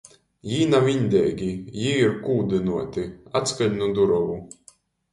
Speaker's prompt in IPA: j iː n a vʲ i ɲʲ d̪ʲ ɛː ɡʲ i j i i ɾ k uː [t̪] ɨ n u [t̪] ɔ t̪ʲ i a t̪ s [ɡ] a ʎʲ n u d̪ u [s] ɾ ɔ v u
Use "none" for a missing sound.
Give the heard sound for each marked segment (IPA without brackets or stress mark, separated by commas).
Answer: d̪, none, k, none